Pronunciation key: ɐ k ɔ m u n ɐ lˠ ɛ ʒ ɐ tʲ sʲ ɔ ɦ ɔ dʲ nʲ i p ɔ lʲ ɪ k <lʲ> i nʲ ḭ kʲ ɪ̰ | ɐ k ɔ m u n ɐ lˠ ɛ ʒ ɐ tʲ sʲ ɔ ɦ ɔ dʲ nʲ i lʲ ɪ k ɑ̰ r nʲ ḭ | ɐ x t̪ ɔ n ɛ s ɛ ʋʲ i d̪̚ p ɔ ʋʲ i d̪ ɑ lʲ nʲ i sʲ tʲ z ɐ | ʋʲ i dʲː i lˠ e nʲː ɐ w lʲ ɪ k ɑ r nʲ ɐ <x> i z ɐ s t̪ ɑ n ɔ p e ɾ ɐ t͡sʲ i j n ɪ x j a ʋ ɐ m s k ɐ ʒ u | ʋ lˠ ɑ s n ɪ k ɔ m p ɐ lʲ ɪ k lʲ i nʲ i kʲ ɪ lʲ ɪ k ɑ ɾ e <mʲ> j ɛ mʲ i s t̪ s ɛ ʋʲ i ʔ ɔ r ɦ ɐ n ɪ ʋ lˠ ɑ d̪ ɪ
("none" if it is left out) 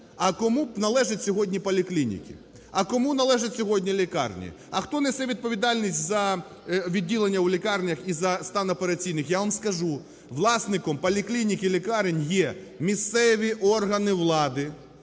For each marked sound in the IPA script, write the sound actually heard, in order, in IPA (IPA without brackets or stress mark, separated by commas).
lʲ, x, nʲ